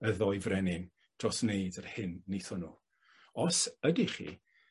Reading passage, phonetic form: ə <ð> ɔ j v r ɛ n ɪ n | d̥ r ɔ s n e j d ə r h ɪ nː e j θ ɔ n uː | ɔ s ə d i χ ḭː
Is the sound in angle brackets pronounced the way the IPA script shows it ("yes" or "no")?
yes